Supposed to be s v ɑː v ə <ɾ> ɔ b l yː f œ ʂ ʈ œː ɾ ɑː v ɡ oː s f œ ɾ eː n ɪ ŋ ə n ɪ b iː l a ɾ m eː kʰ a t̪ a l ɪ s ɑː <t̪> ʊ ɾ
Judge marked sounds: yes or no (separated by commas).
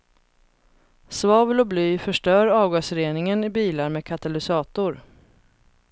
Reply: no, yes